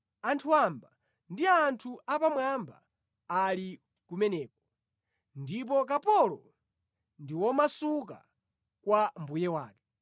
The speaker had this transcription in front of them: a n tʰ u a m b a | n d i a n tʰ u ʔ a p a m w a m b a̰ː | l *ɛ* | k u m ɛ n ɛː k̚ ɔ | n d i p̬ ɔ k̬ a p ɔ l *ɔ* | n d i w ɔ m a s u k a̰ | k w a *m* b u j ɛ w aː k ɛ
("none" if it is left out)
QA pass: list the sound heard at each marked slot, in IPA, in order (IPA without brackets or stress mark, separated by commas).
i, ɔ, m